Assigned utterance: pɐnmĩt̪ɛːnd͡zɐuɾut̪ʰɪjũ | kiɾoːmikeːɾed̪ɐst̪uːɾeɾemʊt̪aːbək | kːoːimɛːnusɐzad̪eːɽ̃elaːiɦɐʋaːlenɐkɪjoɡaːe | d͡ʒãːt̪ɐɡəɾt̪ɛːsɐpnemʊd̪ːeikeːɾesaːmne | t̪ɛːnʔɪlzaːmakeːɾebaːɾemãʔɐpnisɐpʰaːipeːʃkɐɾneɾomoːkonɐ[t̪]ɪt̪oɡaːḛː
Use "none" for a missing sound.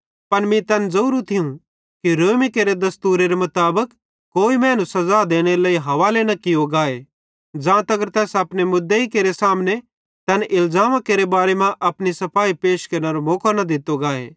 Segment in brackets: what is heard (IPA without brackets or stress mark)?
d̪